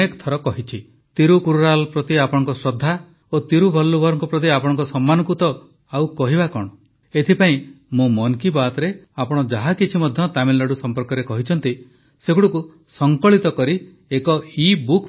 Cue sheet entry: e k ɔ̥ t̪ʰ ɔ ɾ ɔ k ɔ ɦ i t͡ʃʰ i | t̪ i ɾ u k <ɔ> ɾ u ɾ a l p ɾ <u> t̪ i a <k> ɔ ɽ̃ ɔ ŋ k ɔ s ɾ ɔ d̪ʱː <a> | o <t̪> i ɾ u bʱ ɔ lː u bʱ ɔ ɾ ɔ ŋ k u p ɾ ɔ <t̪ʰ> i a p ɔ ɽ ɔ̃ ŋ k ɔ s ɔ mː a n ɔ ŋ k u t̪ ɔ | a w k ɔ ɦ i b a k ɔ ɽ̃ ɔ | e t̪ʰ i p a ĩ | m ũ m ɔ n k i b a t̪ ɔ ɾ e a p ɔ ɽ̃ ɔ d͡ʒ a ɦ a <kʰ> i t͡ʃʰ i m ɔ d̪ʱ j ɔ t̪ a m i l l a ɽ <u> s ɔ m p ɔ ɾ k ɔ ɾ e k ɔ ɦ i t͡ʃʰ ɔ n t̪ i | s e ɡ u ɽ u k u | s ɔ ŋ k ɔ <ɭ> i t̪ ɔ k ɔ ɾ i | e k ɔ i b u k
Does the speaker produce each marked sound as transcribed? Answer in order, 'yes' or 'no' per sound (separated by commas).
no, no, no, yes, yes, no, no, yes, yes